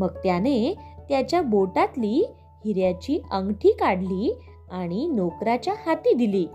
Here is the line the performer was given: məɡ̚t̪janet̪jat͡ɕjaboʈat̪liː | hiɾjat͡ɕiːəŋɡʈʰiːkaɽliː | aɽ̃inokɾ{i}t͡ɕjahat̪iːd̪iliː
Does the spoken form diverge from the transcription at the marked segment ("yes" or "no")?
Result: yes